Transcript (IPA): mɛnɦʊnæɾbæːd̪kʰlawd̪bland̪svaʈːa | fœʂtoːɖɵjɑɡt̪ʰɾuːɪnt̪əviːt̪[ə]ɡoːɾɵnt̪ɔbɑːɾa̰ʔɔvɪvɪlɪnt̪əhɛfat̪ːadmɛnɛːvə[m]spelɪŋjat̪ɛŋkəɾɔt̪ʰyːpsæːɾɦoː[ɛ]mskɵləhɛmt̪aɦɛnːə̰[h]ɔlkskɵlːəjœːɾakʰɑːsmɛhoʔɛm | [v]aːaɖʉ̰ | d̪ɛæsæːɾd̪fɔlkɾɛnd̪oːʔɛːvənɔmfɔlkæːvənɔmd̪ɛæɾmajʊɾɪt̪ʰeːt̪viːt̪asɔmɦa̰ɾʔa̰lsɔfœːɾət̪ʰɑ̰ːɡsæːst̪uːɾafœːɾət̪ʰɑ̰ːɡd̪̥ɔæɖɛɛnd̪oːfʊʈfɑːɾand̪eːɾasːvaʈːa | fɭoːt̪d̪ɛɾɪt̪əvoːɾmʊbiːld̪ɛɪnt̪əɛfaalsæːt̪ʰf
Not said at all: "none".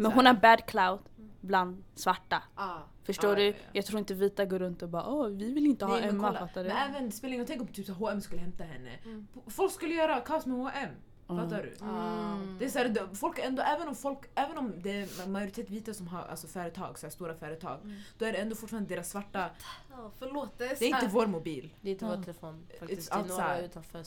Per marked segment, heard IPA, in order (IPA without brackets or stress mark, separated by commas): a, n, ɛ, f, f